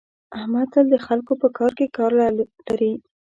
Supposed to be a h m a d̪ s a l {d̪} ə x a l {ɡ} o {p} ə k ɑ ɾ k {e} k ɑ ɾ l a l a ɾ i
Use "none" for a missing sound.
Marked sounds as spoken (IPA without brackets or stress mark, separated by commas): d̪, k, p, e